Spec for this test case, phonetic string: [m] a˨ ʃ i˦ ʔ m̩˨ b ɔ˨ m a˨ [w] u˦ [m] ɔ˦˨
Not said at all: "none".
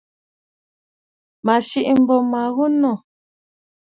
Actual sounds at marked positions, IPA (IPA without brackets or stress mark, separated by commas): m, ɣ, n